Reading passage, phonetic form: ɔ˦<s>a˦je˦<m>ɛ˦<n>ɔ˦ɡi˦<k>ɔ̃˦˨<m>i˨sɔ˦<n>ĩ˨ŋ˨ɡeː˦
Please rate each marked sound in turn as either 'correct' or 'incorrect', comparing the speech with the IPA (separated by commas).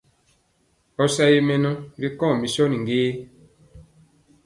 correct, correct, correct, correct, correct, correct